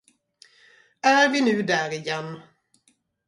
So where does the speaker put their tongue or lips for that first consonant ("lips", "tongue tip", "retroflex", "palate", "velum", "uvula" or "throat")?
tongue tip